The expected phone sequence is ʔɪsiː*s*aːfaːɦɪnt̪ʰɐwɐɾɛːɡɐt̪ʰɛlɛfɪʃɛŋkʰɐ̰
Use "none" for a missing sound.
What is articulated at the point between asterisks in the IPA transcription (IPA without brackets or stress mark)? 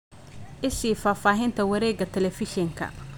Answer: f